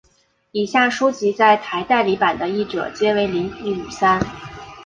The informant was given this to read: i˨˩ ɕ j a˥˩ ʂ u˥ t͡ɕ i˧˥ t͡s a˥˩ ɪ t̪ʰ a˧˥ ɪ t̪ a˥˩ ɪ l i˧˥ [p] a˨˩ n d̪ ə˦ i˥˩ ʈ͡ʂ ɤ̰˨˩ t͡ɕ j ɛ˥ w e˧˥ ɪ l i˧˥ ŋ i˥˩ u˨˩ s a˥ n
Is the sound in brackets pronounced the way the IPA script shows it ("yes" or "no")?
yes